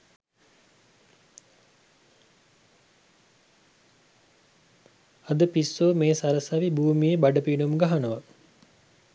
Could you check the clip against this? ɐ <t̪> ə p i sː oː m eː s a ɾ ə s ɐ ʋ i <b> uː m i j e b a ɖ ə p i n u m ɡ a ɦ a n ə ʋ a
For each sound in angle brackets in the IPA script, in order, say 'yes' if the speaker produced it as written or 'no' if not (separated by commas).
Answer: no, yes